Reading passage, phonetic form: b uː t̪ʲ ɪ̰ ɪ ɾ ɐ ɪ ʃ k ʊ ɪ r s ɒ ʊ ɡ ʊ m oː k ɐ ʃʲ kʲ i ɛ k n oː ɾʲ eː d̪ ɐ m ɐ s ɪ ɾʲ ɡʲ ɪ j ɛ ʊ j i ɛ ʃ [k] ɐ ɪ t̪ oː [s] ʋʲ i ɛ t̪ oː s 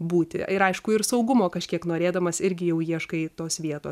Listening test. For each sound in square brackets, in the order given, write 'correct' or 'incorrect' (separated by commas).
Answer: correct, correct